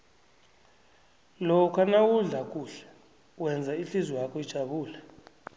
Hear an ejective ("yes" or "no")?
yes